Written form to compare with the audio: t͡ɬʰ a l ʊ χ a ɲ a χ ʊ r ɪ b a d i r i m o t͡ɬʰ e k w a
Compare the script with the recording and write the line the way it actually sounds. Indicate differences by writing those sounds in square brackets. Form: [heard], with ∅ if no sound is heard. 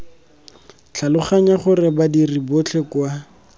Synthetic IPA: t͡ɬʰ a l ʊ χ a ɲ a χ ʊ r ɪ b a d i r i [b] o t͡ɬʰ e k w a